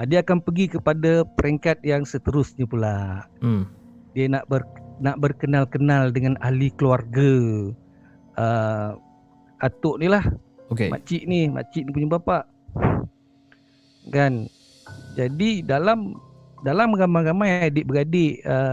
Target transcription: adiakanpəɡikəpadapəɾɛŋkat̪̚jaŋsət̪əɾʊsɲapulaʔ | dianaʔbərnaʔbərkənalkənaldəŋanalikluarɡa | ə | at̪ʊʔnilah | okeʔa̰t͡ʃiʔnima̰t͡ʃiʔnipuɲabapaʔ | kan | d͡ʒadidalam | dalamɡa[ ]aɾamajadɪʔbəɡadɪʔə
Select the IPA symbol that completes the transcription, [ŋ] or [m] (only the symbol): m